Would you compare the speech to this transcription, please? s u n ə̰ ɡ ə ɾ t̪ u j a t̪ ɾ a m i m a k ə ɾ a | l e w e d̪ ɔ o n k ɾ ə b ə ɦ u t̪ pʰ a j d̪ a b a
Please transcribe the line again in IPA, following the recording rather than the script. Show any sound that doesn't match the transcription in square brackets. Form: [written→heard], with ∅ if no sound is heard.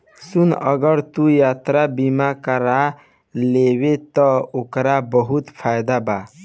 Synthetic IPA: s u n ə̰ ɡ ə ɾ t̪ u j a t̪ ɾ a [m→b] i m a k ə ɾ a | l e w e [d̪→t̪] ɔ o [n→∅] k ɾ [ə→a] b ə ɦ u t̪ pʰ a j d̪ a b a